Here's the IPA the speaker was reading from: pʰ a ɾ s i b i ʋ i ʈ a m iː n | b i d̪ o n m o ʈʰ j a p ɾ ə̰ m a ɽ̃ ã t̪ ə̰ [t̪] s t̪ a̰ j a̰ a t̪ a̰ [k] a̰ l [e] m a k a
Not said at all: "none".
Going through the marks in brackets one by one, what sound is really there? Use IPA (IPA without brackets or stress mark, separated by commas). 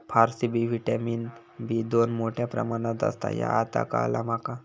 none, k, a